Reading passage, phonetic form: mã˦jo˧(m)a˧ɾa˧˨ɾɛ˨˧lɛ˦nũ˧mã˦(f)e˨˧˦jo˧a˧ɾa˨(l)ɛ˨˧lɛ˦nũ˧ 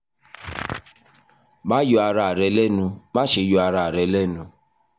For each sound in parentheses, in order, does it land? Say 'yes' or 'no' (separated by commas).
no, no, no